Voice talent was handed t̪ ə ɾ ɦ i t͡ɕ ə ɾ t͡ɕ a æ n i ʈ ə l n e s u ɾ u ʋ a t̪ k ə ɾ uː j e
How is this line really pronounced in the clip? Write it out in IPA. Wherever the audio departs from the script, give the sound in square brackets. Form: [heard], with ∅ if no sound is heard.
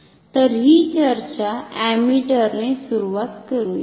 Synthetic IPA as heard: t̪ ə ɾ ɦ i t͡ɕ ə ɾ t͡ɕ a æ [m] i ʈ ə [ɾ] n e s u ɾ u ʋ a t̪ k ə ɾ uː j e